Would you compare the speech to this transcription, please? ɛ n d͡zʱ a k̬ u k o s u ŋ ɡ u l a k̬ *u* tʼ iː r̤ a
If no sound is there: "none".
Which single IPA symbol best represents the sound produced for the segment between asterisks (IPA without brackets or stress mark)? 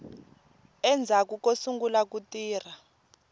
u